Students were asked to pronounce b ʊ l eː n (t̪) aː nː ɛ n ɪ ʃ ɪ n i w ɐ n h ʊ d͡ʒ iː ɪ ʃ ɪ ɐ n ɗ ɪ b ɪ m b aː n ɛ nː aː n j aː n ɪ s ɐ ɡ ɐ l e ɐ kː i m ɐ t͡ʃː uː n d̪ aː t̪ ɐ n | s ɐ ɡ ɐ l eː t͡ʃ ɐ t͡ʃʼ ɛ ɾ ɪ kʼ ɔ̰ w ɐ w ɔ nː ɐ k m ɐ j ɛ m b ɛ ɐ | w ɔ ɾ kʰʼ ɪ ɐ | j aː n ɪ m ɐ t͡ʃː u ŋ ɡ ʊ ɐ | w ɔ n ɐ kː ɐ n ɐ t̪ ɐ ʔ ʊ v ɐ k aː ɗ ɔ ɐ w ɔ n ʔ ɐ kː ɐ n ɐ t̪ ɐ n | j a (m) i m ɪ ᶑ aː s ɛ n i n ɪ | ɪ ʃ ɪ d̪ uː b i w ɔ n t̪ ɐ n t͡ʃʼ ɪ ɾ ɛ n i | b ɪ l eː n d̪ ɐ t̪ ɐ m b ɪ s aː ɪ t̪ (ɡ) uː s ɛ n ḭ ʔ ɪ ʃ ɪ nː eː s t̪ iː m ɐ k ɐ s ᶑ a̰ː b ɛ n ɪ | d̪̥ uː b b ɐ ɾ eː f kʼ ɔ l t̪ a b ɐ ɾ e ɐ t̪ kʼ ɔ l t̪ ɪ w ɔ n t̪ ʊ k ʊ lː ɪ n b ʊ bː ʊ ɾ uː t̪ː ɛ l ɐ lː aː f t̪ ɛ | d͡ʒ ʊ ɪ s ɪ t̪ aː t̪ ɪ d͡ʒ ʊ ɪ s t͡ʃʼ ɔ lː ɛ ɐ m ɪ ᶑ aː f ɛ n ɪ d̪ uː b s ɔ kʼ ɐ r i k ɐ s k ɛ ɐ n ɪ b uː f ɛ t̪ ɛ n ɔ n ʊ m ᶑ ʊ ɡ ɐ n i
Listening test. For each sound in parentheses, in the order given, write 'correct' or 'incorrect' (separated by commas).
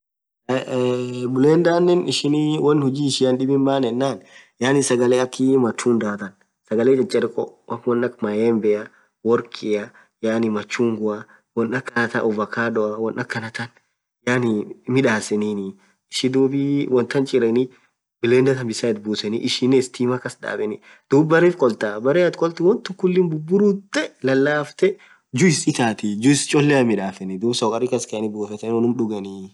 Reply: incorrect, incorrect, incorrect